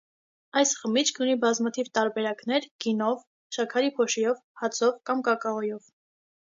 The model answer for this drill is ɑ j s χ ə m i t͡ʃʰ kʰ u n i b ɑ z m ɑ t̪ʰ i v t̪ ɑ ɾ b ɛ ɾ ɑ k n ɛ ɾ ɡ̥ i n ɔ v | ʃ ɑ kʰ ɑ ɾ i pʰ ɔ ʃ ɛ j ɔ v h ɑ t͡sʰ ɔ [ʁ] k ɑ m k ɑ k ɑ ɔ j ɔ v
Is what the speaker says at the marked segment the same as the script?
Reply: no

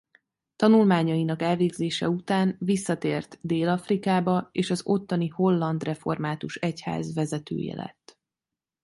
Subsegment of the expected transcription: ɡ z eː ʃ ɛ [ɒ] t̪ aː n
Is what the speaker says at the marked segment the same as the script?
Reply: no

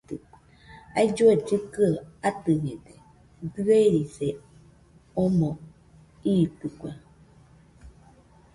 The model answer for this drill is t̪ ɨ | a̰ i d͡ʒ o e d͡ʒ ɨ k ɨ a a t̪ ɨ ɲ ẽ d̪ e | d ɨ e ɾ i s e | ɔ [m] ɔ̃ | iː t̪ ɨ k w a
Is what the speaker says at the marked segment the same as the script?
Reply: yes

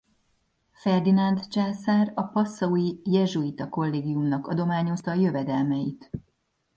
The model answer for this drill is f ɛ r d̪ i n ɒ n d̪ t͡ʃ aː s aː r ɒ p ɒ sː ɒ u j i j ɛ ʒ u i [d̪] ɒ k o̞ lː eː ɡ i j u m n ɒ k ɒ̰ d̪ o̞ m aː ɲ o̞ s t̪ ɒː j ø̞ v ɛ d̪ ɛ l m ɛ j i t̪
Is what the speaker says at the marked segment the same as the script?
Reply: no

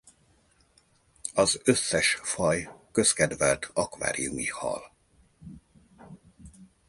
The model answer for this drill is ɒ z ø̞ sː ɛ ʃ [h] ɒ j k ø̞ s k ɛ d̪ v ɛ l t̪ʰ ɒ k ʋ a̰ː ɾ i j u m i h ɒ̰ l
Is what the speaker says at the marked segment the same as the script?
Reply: no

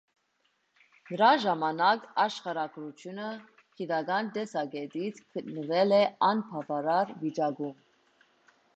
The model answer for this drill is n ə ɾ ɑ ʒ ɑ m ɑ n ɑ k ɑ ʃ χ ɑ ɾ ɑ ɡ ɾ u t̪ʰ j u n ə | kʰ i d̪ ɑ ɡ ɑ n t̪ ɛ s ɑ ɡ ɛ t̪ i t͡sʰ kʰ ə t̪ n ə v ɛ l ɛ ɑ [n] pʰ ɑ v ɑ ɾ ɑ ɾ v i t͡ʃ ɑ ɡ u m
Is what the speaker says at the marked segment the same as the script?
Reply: yes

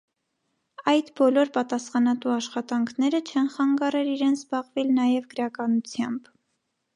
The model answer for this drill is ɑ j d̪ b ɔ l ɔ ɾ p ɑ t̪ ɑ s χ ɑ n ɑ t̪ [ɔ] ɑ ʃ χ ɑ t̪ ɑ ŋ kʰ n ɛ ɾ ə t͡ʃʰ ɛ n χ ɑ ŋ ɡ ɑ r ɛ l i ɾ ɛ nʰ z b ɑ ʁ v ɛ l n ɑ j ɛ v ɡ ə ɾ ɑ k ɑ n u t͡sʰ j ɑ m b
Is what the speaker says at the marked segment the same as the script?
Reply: no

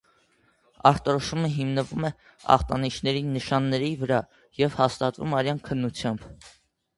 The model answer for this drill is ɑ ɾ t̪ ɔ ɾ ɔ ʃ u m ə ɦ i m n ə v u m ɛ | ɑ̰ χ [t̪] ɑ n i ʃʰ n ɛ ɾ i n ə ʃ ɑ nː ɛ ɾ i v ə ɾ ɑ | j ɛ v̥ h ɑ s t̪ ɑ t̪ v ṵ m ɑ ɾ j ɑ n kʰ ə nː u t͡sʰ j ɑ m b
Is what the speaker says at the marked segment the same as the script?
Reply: yes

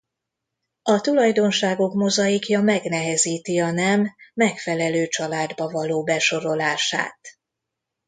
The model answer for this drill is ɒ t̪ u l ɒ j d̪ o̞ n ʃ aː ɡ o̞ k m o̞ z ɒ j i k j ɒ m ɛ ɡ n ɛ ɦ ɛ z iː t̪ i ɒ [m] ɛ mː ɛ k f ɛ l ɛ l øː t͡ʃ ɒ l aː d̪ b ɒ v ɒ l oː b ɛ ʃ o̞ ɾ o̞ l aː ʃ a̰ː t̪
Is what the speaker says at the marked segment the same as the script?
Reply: no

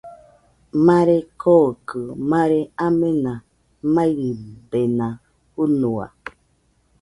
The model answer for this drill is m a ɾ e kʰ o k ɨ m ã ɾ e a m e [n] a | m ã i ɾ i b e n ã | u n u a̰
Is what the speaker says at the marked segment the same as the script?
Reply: yes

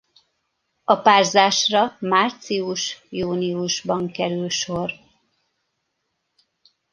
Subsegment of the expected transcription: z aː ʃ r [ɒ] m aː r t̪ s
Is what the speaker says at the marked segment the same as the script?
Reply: yes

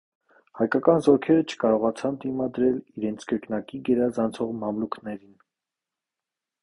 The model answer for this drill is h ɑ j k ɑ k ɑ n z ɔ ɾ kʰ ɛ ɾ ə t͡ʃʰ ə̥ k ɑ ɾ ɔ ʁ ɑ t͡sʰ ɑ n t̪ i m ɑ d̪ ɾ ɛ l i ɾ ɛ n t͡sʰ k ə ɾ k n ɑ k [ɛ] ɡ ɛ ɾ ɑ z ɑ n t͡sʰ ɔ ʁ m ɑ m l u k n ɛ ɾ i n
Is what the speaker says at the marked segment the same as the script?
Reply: no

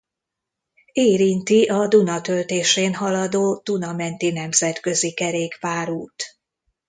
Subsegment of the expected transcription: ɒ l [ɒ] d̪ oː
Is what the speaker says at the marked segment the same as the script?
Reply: yes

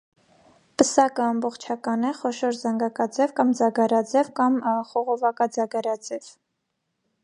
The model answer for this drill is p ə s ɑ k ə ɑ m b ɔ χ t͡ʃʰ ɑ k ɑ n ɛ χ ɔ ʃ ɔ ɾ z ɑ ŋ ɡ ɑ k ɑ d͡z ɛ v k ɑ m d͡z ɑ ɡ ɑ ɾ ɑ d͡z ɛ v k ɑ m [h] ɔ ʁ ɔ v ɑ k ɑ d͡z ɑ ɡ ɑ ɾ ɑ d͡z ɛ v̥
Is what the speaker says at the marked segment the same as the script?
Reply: no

